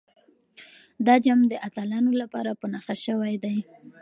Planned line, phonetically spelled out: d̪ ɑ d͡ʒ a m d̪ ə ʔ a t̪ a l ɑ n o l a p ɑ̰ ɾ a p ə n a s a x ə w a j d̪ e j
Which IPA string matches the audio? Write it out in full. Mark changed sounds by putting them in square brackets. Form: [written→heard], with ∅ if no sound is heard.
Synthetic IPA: d̪ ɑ d͡ʒ a m d̪ ə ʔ a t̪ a l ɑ n o l a p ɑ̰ ɾ a p ə n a [s→x] a [x→ʃ] ə w a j d̪ [e→a] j